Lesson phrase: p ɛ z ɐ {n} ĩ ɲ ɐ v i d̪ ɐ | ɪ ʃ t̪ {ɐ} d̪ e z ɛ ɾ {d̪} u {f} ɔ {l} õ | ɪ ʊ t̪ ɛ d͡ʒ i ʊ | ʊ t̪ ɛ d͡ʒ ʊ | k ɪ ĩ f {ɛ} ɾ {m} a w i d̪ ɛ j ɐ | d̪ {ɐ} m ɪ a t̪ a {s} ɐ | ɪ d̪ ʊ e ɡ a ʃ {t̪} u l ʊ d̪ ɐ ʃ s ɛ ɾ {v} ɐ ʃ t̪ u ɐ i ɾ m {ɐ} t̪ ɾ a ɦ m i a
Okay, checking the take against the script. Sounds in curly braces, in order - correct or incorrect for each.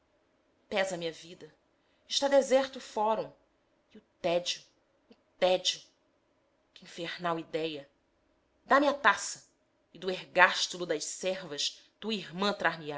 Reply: incorrect: m, incorrect: a, incorrect: t̪, correct, incorrect: ɾ, incorrect: e, incorrect: n, incorrect: a, correct, correct, correct, incorrect: ɐ̃

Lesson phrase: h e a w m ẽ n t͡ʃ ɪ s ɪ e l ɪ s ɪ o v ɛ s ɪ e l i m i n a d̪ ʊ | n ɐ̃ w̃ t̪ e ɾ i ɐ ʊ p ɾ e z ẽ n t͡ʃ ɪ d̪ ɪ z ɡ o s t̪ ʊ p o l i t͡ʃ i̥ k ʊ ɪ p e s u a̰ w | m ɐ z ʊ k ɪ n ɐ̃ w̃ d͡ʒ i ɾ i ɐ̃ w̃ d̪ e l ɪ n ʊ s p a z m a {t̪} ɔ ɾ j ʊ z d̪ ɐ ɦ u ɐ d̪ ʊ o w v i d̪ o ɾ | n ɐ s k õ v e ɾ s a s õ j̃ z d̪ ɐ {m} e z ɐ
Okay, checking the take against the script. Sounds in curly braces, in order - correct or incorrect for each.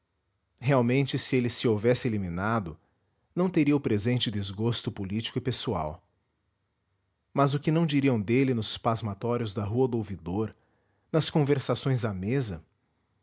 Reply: correct, correct

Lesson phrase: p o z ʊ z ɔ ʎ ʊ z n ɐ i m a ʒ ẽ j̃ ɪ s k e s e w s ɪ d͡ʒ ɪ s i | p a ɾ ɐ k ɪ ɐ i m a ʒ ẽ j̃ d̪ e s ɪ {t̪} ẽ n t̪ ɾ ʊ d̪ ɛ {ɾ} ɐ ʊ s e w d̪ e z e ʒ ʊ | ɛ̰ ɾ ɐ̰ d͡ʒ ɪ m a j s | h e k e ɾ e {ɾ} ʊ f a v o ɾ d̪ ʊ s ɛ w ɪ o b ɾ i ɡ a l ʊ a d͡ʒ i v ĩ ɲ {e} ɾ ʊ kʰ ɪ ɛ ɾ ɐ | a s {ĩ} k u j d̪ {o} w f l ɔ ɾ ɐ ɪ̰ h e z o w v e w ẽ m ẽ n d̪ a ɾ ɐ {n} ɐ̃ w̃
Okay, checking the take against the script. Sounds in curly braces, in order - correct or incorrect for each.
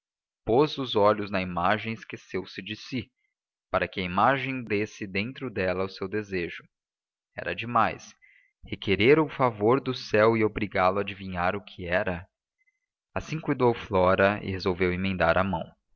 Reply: incorrect: d̪, incorrect: l, correct, incorrect: a, correct, correct, incorrect: m

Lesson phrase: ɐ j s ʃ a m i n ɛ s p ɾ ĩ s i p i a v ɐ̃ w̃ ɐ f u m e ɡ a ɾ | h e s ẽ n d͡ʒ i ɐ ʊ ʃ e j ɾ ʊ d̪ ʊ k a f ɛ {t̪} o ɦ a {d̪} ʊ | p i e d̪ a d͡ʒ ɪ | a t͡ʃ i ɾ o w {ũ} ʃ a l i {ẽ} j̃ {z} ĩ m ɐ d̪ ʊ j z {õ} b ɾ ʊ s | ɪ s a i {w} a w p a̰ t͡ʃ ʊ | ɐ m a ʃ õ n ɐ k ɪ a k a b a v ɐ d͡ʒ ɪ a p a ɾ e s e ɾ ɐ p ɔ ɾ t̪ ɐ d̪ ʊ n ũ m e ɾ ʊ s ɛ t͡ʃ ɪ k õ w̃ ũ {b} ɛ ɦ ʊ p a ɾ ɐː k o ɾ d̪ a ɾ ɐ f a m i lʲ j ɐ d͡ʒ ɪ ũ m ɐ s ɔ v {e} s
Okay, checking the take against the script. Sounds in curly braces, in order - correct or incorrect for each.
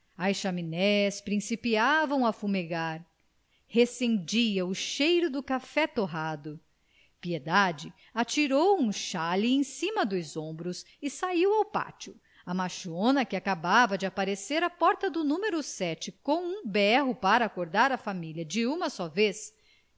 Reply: correct, correct, correct, correct, incorrect: s, correct, correct, correct, correct

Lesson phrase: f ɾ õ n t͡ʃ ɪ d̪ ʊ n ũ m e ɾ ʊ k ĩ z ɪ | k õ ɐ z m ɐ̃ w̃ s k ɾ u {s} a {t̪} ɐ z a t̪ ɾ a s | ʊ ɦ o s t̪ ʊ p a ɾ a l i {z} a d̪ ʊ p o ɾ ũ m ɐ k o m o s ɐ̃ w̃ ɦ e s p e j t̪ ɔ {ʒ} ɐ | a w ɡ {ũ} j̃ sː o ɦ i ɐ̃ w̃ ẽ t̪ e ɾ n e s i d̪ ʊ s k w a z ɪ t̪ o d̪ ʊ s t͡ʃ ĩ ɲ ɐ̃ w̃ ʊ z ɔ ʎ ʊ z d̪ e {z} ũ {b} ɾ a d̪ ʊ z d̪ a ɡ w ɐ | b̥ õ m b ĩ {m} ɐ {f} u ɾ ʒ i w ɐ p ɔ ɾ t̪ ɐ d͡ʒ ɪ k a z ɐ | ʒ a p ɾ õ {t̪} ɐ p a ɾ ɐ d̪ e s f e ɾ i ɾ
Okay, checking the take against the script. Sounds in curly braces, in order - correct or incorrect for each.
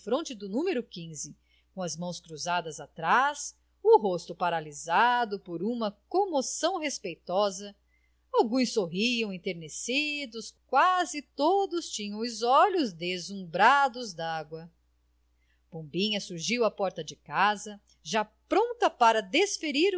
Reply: incorrect: z, incorrect: d̪, correct, incorrect: z, correct, correct, correct, incorrect: ɲ, incorrect: s, correct

